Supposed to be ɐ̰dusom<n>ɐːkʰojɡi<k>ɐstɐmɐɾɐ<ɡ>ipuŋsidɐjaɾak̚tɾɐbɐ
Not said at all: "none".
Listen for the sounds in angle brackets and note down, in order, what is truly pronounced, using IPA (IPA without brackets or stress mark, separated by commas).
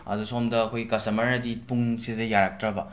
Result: d, k, d